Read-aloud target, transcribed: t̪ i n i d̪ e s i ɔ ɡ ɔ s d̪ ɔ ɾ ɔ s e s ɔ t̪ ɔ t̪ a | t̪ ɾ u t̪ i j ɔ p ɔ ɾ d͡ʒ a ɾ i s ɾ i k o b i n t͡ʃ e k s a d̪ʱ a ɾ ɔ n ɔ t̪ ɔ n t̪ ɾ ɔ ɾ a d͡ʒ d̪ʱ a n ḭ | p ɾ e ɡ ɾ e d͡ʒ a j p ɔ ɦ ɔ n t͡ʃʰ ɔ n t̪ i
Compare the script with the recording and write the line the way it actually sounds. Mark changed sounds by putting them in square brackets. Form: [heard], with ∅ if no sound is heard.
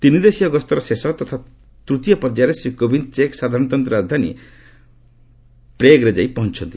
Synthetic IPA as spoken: t̪ i n i d̪ e s i ɔ ɡ ɔ s [t̪] ɔ ɾ ɔ s e s ɔ t̪ ɔ [t̪ʰ] a | t̪ ɾ u t̪ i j ɔ p ɔ ɾ d͡ʒ a ɾ [e] s ɾ i k o b i n t͡ʃ e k s a d̪ʱ a ɾ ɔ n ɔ t̪ ɔ n t̪ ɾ ɔ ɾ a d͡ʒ d̪ʱ a n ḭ | p ɾ e ɡ ɾ e d͡ʒ a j p ɔ ɦ ɔ n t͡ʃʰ ɔ n t̪ i

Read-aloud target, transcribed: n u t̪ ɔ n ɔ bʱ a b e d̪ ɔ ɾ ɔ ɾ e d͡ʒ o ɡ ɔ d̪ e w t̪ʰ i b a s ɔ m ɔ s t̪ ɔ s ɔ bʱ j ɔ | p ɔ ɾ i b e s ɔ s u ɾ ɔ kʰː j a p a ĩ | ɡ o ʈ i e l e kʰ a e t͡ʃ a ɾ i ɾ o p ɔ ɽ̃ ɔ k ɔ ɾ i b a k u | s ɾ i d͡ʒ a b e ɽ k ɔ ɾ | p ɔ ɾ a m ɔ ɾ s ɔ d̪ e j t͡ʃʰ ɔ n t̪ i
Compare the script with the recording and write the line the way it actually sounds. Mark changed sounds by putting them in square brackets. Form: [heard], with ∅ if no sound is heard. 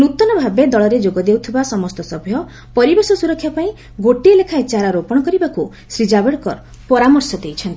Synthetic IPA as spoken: n u t̪ ɔ n ɔ bʱ a b e d̪ ɔ [ɭ] ɔ ɾ e d͡ʒ o ɡ ɔ d̪ e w t̪ʰ i b a s ɔ m ɔ s t̪ ɔ s ɔ bʱ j ɔ | p ɔ ɾ i b e s ɔ s u ɾ ɔ kʰː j a p a ĩ | ɡ o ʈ i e l e kʰ a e t͡ʃ a ɾ [a] ɾ o p ɔ ɽ̃ ɔ k ɔ ɾ i b a k u | s ɾ i d͡ʒ a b e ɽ k ɔ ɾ | p ɔ ɾ a m ɔ ɾ s ɔ d̪ e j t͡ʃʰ ɔ n t̪ i

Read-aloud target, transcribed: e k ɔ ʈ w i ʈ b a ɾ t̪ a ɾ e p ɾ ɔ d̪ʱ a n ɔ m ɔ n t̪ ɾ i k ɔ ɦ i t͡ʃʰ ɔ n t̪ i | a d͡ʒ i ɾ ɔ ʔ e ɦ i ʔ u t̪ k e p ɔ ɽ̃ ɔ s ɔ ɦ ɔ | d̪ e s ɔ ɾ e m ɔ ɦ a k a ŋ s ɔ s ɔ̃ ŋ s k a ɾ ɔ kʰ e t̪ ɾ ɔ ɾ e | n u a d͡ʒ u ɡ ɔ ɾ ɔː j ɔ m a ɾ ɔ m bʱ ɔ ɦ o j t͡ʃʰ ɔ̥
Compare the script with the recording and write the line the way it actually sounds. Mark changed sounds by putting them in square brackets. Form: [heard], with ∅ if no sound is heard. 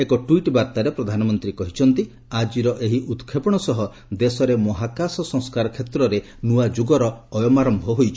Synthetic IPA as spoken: e k ɔ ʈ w i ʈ b a ɾ t̪ a ɾ e p ɾ ɔ d̪ʱ a n ɔ m ɔ n t̪ ɾ i k ɔ ɦ i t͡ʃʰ ɔ n t̪ i | a d͡ʒ i ɾ ɔ ʔ e ɦ i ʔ u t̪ [kʰ] e p ɔ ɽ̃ ɔ s ɔ ɦ ɔ | d̪ e s ɔ ɾ e m ɔ ɦ a k a [∅] s ɔ s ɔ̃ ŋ s k a ɾ ɔ kʰ e t̪ ɾ ɔ ɾ e | n u a d͡ʒ u ɡ ɔ ɾ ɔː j ɔ m a ɾ ɔ m bʱ ɔ ɦ o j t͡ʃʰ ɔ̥

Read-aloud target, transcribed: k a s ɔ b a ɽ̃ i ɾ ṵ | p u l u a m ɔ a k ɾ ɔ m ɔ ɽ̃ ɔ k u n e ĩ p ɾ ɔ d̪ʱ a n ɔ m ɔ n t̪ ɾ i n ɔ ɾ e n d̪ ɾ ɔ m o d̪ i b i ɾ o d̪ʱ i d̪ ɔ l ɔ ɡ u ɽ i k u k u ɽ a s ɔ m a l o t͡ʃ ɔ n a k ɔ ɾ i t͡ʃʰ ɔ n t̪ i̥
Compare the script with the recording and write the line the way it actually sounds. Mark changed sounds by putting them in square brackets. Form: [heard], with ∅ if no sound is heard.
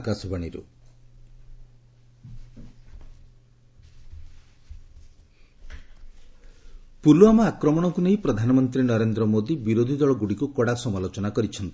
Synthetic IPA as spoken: k a s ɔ b a ɽ̃ i ɾ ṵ | p u l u a m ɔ a k ɾ ɔ m ɔ ɽ̃ ɔ k u n e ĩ p ɾ ɔ d̪ʱ a n ɔ m ɔ n t̪ ɾ i n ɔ ɾ e n d̪ ɾ ɔ m o d̪ i b i ɾ o d̪ʱ i d̪ ɔ [ɭ] ɔ ɡ u ɽ i k u k [ɔ] ɽ a s ɔ m a l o t͡ʃ ɔ n a k ɔ ɾ i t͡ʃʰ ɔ n t̪ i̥

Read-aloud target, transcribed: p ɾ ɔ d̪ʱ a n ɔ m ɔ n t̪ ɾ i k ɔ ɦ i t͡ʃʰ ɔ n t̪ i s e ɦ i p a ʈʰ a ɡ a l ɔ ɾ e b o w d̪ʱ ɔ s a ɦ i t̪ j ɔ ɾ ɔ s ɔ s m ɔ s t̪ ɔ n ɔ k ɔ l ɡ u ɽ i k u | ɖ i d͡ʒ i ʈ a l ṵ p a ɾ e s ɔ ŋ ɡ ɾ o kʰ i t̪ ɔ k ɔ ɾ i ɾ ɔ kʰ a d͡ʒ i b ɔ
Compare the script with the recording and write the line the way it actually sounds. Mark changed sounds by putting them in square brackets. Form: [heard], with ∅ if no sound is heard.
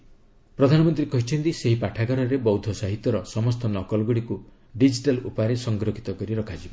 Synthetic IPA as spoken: p ɾ ɔ d̪ʱ a n ɔ m ɔ n t̪ ɾ i k ɔ ɦ i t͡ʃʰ ɔ n t̪ i s e ɦ i p a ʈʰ a ɡ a [ɾ] ɔ ɾ e b [ɔ] w d̪ʱ ɔ s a ɦ i t̪ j ɔ ɾ ɔ s ɔ [∅] m ɔ s t̪ ɔ n ɔ k ɔ l ɡ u ɽ i k u | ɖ i d͡ʒ i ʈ a l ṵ p a ɾ e s ɔ ŋ ɡ ɾ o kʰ i t̪ ɔ k ɔ ɾ i ɾ ɔ kʰ a d͡ʒ i b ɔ

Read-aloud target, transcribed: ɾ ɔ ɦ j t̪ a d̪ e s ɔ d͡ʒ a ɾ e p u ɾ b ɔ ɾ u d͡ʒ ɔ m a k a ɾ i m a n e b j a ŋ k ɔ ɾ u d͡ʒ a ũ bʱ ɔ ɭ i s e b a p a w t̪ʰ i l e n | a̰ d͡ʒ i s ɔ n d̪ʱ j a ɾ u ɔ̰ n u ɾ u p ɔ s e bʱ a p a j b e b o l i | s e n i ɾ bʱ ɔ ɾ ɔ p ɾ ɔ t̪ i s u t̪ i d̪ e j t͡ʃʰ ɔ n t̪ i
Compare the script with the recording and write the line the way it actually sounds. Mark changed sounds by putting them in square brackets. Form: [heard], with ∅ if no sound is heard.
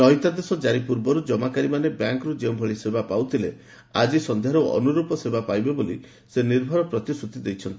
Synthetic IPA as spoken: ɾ ɔ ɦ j t̪ a d̪ e s ɔ d͡ʒ a ɾ [i] p u ɾ b ɔ ɾ u d͡ʒ ɔ m a k a ɾ i m a n e b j a ŋ k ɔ ɾ u d͡ʒ [e] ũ bʱ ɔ ɭ i s e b a p a w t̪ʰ i l e [∅] | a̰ d͡ʒ i s ɔ n d̪ʱ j a ɾ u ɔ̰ n u ɾ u p ɔ s e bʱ a p a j b e b o l i | s e n i ɾ bʱ ɔ ɾ ɔ p ɾ ɔ t̪ i s u t̪ i d̪ e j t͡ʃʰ ɔ n t̪ i

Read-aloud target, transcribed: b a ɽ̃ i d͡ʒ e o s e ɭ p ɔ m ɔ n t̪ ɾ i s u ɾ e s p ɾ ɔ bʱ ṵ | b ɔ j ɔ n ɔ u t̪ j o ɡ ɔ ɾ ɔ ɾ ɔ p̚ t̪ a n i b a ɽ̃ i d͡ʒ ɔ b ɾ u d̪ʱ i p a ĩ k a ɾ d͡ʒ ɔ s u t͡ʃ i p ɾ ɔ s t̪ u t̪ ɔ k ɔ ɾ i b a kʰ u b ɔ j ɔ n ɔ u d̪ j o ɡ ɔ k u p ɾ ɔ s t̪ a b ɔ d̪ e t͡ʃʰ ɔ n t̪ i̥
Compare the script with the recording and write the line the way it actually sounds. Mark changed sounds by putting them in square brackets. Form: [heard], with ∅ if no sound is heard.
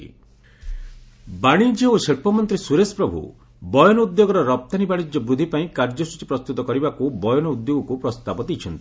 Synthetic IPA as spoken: b a ɽ̃ i d͡ʒ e o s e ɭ p ɔ m ɔ n t̪ ɾ i s u ɾ e s p ɾ ɔ bʱ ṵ | b ɔ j ɔ n ɔ u [d̪] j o ɡ ɔ ɾ ɔ ɾ ɔ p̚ t̪ a n i b a ɽ̃ i d͡ʒ ɔ b ɾ u d̪ʱ i p a ĩ k a ɾ d͡ʒ ɔ s u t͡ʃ i p ɾ ɔ s t̪ u t̪ ɔ k ɔ ɾ i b a [k] u b ɔ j ɔ n ɔ u d̪ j o ɡ ɔ k u p ɾ ɔ s t̪ a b ɔ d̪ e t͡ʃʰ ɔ n t̪ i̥

